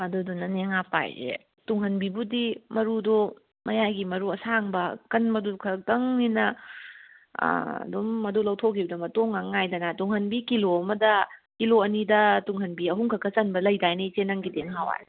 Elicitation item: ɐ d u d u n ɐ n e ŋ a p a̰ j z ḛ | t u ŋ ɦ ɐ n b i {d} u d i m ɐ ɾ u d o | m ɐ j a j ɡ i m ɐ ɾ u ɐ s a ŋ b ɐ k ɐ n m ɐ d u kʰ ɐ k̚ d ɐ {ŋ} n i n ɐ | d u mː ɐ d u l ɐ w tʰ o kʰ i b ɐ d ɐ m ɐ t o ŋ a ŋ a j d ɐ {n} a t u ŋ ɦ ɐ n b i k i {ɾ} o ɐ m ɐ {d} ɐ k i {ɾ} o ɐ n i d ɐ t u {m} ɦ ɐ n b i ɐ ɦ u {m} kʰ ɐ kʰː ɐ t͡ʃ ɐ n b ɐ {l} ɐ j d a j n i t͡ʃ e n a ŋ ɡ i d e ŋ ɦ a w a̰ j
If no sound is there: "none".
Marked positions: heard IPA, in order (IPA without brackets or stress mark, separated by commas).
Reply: b, ŋ, n, l, d, l, ŋ, ŋ, l